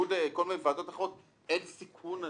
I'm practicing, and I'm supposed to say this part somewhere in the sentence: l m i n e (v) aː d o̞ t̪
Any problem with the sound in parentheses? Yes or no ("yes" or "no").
no